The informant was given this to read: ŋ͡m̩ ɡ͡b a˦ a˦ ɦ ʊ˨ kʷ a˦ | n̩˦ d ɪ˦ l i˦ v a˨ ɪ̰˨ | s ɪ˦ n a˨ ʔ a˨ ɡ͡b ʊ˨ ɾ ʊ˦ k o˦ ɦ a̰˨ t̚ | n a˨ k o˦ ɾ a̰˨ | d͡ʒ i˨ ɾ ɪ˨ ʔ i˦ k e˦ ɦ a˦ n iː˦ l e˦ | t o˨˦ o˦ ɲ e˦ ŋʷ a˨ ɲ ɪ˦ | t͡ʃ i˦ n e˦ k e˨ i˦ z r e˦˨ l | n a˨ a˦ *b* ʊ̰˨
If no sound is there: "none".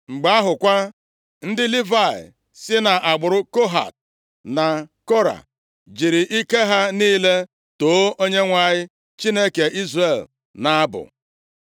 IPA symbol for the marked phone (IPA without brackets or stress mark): b